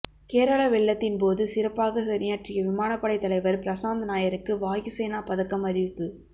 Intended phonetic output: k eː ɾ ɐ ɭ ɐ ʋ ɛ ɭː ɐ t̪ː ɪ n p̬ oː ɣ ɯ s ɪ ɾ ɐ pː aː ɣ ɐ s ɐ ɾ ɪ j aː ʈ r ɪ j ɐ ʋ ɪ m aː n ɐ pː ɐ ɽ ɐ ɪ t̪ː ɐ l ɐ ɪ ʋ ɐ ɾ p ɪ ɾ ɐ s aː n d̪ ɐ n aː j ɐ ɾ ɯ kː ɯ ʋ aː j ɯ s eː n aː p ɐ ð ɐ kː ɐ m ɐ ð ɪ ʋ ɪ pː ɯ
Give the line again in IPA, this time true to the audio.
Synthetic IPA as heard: k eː ɾ ɐ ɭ ɐ ʋ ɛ ɭː ɐ t̪ː ɪ n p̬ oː ð ɯ s ɪ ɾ ɐ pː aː ɣ ɐ s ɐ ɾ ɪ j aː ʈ r ɪ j ɐ ʋ ɪ m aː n ɐ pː ɐ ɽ ɐ ɪ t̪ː ɐ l ɐ ɪ ʋ ɐ ɾ p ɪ ɾ ɐ s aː n d̪ ɐ n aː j ɐ ɾ ɯ kː ɯ ʋ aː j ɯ s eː n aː p ɐ ð ɐ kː ɐ m ɐ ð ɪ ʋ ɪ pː ɯ

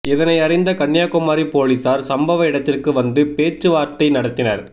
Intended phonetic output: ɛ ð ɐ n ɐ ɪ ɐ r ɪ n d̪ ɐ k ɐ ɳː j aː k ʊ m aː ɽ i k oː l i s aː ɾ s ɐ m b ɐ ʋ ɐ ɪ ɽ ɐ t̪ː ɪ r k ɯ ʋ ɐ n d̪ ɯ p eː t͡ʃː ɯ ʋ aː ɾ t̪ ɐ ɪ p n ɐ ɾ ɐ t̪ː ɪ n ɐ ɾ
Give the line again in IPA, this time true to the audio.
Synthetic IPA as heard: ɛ ð ɐ n ɐ ɪ ɐ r ɪ n d̪ ɐ k ɐ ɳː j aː k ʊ m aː ɾ i p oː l i s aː ɾ s ɐ m b ɐ ʋ ɐ ɪ ɽ ɐ t̪ː ɪ r k ɯ ʋ ɐ n d̪ ɯ p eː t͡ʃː ɯ ʋ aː ɾ t̪ ɐ ɪ n ɐ ɽ ɐ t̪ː ɪ n ɐ ɾ

